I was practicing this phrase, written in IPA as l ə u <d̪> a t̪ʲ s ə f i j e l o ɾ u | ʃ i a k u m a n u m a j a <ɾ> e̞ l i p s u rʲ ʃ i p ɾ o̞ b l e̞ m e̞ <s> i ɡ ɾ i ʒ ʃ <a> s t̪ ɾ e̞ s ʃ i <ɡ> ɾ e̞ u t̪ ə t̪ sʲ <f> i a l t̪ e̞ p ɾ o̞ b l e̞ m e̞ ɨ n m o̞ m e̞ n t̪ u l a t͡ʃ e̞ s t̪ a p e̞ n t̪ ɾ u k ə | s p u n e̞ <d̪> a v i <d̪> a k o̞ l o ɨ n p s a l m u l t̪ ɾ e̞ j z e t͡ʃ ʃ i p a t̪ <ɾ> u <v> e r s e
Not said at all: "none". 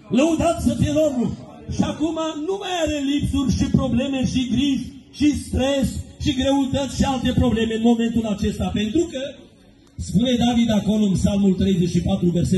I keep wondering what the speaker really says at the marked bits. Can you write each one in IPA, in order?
d̪, ɾ, ʃ, i, ɡ, ʃ, d̪, d̪, ɾ, v

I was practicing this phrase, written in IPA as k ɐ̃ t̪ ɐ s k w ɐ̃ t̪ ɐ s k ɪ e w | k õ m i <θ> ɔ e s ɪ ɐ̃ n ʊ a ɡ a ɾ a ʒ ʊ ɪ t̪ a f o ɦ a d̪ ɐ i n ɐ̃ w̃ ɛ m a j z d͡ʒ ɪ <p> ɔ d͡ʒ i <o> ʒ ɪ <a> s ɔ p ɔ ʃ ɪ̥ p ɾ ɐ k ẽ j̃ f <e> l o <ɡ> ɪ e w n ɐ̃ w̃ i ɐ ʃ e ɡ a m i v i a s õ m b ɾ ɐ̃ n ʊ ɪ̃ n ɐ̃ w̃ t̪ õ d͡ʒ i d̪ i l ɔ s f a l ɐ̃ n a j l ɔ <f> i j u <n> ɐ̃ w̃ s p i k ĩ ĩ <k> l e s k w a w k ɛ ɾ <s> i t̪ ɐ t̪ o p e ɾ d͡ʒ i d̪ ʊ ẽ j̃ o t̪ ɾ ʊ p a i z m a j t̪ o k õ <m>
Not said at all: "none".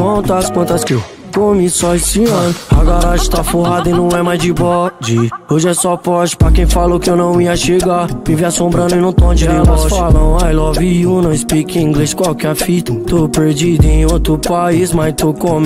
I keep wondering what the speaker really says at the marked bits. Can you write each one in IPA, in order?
s, b, o, ɛ, a, k, v, n, ɡ, f, m

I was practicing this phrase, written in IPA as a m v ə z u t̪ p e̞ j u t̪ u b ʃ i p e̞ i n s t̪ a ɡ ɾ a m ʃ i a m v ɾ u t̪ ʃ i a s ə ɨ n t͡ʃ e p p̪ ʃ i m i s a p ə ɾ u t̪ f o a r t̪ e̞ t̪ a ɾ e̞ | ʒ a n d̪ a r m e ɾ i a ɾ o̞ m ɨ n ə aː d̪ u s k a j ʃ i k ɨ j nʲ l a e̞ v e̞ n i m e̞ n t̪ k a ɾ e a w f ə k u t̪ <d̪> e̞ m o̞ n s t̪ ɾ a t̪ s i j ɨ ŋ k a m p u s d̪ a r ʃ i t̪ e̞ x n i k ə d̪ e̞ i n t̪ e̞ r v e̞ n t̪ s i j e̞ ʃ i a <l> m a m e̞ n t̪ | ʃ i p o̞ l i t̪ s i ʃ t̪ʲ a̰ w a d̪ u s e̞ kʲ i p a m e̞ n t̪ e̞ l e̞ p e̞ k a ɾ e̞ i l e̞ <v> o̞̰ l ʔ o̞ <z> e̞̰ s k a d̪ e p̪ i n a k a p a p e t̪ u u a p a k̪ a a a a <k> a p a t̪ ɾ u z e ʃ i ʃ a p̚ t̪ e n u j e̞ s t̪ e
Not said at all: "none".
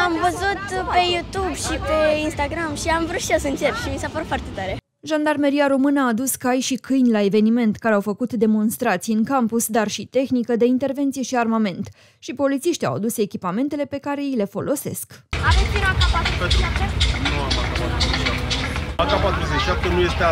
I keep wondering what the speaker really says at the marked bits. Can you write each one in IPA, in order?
d̪, r, f, s, k

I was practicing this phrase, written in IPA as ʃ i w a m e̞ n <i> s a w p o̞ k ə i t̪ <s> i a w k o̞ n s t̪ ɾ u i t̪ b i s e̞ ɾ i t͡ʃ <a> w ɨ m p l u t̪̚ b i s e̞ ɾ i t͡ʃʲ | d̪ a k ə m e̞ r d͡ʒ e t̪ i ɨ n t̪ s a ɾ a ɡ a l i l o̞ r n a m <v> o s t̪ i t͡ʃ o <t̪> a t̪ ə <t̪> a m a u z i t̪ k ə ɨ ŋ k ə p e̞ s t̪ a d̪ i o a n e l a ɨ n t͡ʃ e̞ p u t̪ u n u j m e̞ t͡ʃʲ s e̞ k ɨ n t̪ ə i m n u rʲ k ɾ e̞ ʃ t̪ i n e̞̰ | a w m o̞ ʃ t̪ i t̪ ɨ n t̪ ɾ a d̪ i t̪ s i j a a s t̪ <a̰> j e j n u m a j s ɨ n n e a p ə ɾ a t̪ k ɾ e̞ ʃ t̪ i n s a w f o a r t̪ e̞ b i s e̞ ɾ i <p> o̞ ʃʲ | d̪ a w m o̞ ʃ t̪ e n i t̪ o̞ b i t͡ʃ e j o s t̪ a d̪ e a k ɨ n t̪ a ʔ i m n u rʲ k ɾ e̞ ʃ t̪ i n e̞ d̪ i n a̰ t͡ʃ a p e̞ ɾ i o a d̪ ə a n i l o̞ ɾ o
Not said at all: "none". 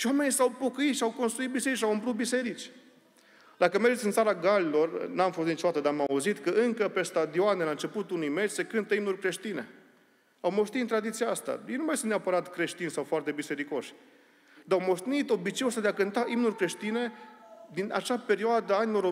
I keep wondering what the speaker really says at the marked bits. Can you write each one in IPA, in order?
i, ʃ, a, f, d̪, d̪, a̰, k

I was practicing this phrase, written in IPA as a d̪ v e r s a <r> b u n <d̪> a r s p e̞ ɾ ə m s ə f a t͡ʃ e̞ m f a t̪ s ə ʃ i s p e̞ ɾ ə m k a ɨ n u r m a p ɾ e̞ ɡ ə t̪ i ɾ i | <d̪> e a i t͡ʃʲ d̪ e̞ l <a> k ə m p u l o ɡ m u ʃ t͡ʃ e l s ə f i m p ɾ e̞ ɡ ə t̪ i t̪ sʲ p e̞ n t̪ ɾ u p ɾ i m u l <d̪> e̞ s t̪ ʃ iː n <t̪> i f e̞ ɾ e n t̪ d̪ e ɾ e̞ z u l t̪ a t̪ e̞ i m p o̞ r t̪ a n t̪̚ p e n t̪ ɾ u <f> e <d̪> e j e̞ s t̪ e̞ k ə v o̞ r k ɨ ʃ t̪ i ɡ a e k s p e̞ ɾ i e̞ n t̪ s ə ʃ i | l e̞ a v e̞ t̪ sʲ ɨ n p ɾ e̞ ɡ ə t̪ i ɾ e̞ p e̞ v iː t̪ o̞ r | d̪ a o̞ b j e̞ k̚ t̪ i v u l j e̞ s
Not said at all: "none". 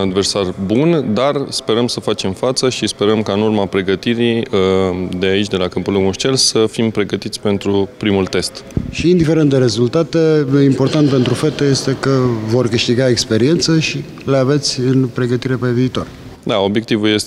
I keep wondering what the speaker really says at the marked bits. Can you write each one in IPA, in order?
r, d̪, d̪, a, t̪, d̪, f, t̪

